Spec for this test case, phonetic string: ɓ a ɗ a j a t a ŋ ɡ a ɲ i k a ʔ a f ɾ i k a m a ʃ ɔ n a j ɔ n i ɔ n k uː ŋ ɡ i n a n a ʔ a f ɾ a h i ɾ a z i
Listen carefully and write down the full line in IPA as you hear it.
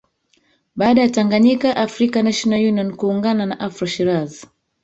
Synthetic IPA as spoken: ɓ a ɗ a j a t a ŋ ɡ a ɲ i k a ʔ a f ɾ i k a n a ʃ ɔ n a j u n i ɔ n k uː ŋ ɡ a n a n a ʔ a f ɾ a ʃ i ɾ a z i

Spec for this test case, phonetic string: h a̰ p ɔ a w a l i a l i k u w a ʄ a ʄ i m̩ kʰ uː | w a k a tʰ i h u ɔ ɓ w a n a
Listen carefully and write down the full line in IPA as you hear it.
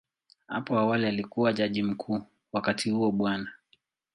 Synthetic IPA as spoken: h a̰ p ɔ a w a l i a l i k u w a ʄ a ʄ i m̩ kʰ uː | w a k a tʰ i h u ɔ ɓ w a n a

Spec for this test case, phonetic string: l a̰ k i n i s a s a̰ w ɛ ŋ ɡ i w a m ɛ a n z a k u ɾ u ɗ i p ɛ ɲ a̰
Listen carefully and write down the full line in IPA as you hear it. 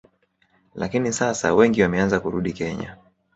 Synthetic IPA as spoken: l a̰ k i n i s a s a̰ w ɛ ŋ ɡ i w a m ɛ a n z a k u ɾ u ɗ i k ɛ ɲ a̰

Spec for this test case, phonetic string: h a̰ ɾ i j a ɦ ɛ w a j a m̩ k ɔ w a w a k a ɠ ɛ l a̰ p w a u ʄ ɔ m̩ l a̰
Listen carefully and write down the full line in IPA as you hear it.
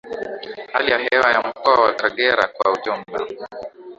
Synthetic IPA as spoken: h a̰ l i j a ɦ ɛ w a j a m̩ k ɔ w a w a k a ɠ ɛ ɾ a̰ k w a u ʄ ɔ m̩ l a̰

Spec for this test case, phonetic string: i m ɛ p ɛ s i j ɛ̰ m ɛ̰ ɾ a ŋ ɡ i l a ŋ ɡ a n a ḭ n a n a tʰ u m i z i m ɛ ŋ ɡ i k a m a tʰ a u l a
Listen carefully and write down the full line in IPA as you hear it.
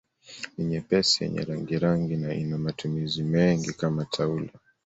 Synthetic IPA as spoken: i ɲ ɛ p ɛ s i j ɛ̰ ɲ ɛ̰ ɾ a ŋ ɡ i ɾ a ŋ ɡ i n a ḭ n a m a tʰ u m i z i m ɛ ŋ ɡ i k a m a tʰ a u l a

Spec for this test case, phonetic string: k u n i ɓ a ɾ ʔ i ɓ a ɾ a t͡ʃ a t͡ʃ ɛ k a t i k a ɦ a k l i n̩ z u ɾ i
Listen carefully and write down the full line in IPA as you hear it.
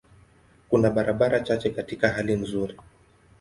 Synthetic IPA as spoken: k u n a ɓ a ɾ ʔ a ɓ a ɾ a t͡ʃ a t͡ʃ ɛ k a t i k a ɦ a l i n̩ z u ɾ i

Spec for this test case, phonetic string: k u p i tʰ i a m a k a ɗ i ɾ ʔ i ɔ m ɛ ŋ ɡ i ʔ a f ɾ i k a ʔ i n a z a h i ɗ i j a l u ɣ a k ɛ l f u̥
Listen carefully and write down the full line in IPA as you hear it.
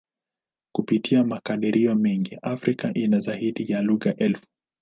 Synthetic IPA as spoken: k u p i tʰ i a m a k a ɗ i ɾ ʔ i ɔ m ɛ ŋ ɡ i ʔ a f ɾ i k a ʔ i n a z a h i ɗ i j a l u ɣ a ʔ ɛ l f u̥

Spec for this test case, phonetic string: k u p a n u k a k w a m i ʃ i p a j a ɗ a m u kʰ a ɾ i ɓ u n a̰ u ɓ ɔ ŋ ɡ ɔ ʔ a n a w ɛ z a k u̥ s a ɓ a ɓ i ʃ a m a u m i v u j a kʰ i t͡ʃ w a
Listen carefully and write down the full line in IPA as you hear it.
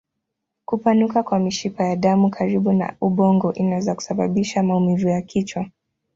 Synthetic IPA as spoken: k u p a n u k a k w a m i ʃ i p a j a ɗ a m u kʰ a ɾ i ɓ u n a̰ u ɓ ɔ ŋ ɡ ɔ ʔ i n a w ɛ z a k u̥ s a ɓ a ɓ i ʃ a m a u m i v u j a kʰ i t͡ʃ w a

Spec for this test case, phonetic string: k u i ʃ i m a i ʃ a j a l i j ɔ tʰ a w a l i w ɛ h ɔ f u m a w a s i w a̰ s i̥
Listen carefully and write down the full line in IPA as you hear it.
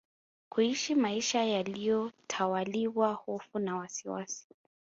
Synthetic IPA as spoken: k u i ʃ i m a i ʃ a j a l i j ɔ tʰ a w a l i w a h ɔ f u n a w a s i w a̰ s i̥

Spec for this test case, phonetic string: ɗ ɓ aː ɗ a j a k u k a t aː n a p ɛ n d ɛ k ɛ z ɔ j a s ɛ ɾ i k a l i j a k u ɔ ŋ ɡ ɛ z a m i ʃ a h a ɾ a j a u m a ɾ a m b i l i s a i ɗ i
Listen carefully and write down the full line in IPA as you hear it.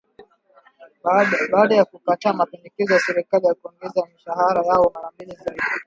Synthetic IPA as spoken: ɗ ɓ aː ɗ a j a k u k a t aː m a p ɛ n d ɛ k ɛ z ɔ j a s ɛ ɾ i k a l i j a k u ɔ ŋ ɡ ɛ z a m i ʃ a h a ɾ a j a ɔ m a ɾ a m b i l i z a i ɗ i

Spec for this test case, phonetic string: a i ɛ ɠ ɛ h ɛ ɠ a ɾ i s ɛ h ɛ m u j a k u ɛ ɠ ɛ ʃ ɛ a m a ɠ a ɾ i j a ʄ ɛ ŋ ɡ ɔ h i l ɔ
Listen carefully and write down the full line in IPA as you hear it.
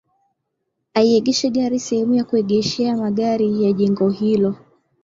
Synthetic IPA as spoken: a i ɛ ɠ ɛ ʃ ɛ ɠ a ɾ i s ɛ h ɛ m u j a k u ɛ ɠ ɛ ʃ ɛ a m a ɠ a ɾ i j a ʄ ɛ ŋ ɡ ɔ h i l ɔ

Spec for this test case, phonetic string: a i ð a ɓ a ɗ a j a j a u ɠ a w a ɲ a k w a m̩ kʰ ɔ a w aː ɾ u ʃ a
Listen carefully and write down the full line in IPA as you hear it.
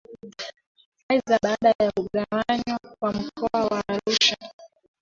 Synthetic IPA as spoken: a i z a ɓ a ɗ a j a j a u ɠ a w a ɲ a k w a m̩ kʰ ɔ a w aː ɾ u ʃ a

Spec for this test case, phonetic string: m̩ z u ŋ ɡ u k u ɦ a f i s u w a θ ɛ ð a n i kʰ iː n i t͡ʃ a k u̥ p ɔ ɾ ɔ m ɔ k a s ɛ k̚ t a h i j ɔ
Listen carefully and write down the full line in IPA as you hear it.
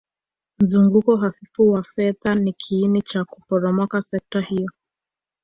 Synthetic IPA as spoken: m̩ z u ŋ ɡ u k ɔ ɦ a f i f u w a f ɛ ð a n i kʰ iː n i t͡ʃ a k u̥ p ɔ ɾ ɔ m ɔ k a s ɛ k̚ t a h i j ɔ

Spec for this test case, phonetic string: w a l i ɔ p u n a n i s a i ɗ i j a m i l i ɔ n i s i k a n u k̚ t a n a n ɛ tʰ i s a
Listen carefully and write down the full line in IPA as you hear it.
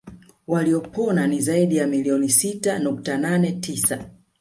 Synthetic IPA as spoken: w a l i ɔ p ɔ n a n i z a i ɗ i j a m i l i ɔ n i s i t a n u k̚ t a n a n ɛ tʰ i s a

